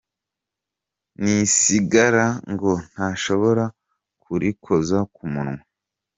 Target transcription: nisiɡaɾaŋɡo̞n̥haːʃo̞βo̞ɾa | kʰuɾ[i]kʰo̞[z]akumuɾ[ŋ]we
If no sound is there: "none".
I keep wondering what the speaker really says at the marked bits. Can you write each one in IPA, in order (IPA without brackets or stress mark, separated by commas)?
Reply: i, z, ŋ